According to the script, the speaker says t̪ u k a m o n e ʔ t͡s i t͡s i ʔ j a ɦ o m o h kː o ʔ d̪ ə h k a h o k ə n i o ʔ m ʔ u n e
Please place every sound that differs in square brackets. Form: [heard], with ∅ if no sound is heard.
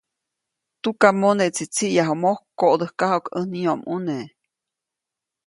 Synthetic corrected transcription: t̪ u k a m o n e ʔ t͡s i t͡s i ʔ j a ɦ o m o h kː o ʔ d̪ ə h k a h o k ə n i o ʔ m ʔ u n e